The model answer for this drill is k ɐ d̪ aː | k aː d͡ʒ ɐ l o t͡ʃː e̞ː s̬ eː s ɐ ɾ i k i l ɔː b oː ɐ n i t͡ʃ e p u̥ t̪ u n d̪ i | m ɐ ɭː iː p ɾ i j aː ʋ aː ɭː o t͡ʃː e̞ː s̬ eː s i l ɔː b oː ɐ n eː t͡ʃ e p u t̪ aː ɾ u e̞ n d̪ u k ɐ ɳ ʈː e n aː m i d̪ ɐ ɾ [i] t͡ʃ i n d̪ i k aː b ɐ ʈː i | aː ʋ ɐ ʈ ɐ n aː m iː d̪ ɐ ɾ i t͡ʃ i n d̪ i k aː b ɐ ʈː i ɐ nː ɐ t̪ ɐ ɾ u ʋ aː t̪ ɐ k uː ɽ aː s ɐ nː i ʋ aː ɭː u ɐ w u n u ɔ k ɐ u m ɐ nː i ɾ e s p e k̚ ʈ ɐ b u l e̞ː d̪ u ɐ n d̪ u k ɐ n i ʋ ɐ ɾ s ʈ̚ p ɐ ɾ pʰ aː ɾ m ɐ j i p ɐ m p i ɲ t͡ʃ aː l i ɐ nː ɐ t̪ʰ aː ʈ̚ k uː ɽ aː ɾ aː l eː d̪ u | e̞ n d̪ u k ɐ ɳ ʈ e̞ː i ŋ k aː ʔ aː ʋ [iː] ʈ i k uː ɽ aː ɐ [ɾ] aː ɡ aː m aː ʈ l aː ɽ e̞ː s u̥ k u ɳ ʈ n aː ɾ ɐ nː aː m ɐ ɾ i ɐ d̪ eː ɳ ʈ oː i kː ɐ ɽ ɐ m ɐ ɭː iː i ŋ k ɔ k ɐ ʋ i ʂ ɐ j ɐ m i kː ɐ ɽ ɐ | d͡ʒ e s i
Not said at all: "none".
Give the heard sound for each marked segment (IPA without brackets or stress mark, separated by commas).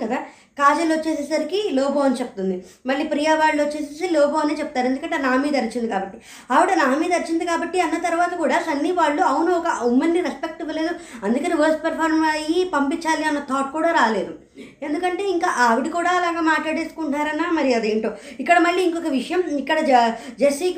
i, i, l